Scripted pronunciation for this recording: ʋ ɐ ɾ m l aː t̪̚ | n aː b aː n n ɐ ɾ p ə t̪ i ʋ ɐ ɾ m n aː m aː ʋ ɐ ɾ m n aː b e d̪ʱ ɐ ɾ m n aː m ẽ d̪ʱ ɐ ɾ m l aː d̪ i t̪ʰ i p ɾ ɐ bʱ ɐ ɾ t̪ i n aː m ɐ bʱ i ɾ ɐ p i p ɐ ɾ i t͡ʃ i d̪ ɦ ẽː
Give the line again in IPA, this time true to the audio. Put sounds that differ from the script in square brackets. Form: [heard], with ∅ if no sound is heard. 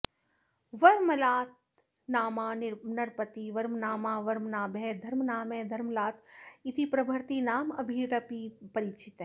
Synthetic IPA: ʋ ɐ ɾ m l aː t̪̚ | n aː [m] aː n n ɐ ɾ p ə t̪ i ʋ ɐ ɾ m n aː m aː ʋ ɐ ɾ m n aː b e d̪ʱ ɐ ɾ m n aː m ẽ d̪ʱ ɐ ɾ m l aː [t̪] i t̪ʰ i p ɾ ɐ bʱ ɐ ɾ t̪ i n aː m ɐ bʱ i ɾ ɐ p i p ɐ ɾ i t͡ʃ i [t̪] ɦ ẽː

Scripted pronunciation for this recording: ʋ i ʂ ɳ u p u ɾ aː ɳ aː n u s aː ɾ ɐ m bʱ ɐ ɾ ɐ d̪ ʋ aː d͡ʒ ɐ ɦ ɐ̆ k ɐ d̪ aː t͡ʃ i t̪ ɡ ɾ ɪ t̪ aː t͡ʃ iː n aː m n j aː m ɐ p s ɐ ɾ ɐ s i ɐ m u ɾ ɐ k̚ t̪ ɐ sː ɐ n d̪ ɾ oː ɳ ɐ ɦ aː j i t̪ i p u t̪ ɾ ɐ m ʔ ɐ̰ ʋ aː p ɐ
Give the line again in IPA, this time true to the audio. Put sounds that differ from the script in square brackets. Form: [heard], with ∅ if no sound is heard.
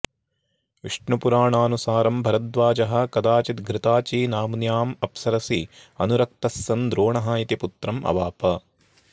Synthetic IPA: ʋ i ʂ ɳ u p u ɾ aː ɳ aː n u s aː ɾ ɐ m bʱ ɐ ɾ ɐ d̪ ʋ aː d͡ʒ ɐ ɦ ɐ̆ k ɐ d̪ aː t͡ʃ i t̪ ɡ ɾ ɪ t̪ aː t͡ʃ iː n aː m n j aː m ɐ p s ɐ ɾ ɐ s i ɐ [n] u ɾ ɐ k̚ t̪ ɐ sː ɐ n d̪ ɾ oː ɳ ɐ ɦ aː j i t̪ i p u t̪ ɾ ɐ m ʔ ɐ̰ ʋ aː p ɐ

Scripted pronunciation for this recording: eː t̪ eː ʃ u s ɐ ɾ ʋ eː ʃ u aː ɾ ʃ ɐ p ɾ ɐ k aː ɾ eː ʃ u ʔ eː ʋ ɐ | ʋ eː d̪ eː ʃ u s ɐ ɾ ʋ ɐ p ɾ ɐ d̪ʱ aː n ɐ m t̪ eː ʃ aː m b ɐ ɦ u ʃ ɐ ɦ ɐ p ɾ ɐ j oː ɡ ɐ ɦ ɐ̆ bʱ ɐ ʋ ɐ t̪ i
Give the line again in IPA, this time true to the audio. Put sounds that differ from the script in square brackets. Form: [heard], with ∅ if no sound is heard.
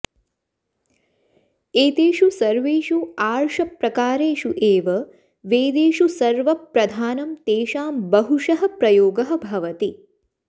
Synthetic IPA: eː t̪ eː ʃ u s ɐ ɾ ʋ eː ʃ u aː ɾ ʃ ɐ p ɾ ɐ k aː ɾ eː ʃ u ʔ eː ʋ ɐ | ʋ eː d̪ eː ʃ u s ɐ ɾ ʋ ɐ p ɾ ɐ d̪ʱ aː n ɐ m t̪ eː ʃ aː m b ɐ ɦ u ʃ ɐ ɦ ɐ p ɾ ɐ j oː ɡ ɐ ɦ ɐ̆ bʱ ɐ ʋ ɐ t̪ i

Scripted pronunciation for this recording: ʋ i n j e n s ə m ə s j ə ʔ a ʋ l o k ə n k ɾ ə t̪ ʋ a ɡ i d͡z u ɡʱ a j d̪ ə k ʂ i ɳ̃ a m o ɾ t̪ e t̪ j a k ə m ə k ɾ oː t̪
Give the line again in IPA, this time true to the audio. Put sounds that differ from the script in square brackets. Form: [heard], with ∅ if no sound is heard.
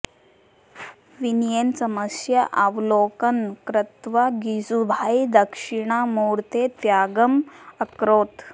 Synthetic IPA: ʋ i n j e n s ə m ə s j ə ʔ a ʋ l o k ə n k ɾ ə t̪ ʋ a ɡ i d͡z u [bʱ] a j d̪ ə k ʂ i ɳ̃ a m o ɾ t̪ e t̪ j a [ɡ] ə m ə k ɾ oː t̪

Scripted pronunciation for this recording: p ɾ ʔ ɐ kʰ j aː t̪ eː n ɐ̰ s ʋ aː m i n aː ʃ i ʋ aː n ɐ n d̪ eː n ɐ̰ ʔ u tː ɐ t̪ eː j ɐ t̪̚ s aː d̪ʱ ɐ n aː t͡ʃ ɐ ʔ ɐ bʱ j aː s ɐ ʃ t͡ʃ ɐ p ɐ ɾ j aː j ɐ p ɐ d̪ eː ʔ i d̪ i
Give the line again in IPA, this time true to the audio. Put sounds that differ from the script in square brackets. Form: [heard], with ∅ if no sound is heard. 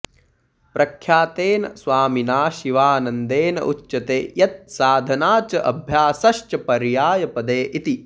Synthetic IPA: p ɾ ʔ ɐ kʰ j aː t̪ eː n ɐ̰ s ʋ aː m i n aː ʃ i ʋ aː n ɐ n d̪ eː n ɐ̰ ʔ u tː ɐ t̪ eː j ɐ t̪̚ s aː d̪ʱ ɐ n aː t͡ʃ ɐ ʔ ɐ bʱ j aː s ɐ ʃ t͡ʃ ɐ p ɐ ɾ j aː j ɐ p ɐ d̪ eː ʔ i [t̪] i

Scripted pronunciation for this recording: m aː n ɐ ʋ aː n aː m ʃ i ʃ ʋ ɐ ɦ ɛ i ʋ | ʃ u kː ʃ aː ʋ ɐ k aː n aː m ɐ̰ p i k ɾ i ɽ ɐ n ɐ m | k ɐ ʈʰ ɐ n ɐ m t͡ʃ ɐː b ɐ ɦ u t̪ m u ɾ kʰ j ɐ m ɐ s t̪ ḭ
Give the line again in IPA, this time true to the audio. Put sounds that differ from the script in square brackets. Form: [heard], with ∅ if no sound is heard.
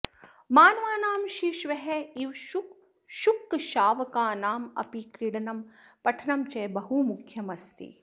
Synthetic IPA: m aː n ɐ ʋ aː n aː m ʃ i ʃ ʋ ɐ ɦ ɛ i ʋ | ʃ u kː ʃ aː ʋ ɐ k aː n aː m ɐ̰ p i k ɾ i ɽ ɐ n ɐ m | [p] ɐ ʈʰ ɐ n ɐ m t͡ʃ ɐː b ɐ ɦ u [∅] m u [∅] kʰ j ɐ m ɐ s t̪ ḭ

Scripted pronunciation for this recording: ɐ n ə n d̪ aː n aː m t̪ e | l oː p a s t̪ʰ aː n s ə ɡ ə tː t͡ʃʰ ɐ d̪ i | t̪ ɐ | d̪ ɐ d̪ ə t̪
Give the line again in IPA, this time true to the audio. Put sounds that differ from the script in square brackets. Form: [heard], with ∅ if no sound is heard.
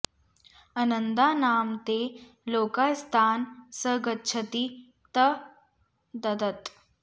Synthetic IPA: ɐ n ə n d̪ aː n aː m t̪ e | l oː [k] a s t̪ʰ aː n s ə ɡ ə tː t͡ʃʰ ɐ [t̪] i | t̪ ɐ | d̪ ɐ d̪ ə t̪

